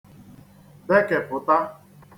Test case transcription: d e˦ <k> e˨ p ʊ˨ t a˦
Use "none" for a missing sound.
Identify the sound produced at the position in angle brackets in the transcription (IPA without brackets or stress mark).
k